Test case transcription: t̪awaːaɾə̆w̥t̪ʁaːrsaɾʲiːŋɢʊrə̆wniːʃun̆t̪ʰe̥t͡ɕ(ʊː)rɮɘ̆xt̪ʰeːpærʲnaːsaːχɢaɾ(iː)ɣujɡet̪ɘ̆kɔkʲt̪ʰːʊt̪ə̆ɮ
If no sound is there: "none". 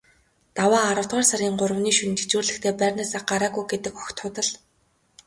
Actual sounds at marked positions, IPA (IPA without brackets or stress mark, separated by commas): uː, aː